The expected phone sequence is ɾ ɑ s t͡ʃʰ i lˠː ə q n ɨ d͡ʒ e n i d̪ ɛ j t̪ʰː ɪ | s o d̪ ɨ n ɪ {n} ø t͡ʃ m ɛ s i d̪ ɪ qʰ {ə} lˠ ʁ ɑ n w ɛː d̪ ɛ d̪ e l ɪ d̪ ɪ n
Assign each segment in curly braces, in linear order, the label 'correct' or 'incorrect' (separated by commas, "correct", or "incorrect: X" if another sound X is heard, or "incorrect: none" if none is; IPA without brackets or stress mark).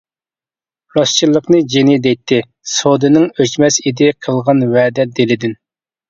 incorrect: ŋ, correct